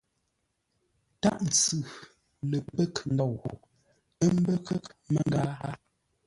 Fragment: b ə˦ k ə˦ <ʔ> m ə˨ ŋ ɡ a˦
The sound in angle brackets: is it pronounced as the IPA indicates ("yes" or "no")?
no